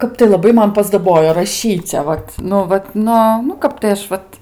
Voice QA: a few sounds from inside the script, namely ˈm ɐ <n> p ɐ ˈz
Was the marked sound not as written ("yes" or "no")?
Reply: no